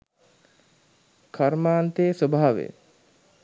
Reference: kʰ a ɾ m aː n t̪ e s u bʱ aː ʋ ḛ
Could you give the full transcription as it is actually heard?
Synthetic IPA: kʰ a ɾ m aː n t̪ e s o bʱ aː ʋ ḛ